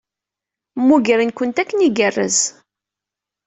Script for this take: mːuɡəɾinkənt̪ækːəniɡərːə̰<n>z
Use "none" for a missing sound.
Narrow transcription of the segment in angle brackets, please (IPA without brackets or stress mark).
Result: none